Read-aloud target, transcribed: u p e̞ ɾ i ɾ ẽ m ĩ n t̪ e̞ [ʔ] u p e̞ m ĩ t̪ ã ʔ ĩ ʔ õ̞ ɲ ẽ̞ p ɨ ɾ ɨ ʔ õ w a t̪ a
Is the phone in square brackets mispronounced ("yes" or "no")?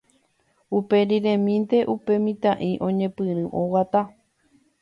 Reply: no